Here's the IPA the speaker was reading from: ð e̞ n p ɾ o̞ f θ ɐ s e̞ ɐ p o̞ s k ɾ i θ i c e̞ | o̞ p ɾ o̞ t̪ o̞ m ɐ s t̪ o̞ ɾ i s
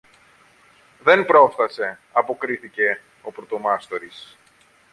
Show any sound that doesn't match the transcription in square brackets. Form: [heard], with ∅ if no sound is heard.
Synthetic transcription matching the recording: ð e̞ n p ɾ o̞ f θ ɐ s e̞ ɐ p o̞ [∅] k ɾ i θ i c e̞ | o̞ p ɾ o̞ t̪ o̞ m ɐ s t̪ o̞ ɾ i s